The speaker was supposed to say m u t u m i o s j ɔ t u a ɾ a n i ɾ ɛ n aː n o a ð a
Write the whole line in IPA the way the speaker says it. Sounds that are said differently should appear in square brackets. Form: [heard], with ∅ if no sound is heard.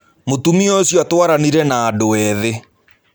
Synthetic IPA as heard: m [o] t u m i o s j ɔ t [w] a ɾ a n i ɾ ɛ n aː [d] o [ɛ] ð [e]